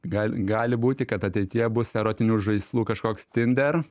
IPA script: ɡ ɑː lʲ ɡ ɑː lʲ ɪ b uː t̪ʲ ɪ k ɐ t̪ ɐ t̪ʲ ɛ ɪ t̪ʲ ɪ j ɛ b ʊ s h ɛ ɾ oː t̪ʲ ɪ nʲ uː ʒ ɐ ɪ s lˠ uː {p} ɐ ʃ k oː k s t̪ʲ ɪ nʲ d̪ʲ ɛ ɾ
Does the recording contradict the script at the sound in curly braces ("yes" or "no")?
yes